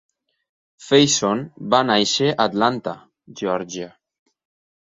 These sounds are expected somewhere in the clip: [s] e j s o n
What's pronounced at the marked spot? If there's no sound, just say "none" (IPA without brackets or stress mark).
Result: f